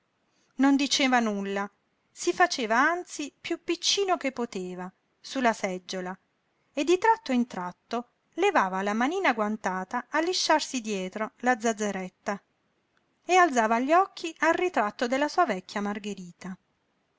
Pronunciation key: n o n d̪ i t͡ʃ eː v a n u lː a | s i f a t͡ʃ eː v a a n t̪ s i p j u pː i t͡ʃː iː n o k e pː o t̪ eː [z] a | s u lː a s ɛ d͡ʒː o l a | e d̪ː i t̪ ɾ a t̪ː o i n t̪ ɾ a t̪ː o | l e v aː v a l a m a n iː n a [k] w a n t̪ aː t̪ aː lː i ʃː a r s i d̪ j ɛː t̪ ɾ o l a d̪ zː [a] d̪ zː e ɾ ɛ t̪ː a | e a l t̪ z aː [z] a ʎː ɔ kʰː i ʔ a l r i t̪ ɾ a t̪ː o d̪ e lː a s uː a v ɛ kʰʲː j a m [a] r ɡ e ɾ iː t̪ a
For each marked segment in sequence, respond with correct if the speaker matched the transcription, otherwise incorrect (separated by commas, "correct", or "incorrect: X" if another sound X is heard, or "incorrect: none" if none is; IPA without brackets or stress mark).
incorrect: v, incorrect: ɡ, correct, incorrect: v, correct